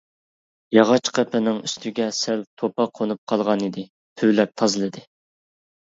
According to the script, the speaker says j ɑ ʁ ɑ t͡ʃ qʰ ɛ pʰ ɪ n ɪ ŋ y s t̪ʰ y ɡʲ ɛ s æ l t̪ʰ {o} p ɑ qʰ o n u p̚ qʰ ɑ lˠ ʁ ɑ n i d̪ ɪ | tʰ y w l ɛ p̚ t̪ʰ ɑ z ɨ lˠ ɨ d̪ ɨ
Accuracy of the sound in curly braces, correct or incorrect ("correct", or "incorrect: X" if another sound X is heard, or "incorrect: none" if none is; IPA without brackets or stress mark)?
correct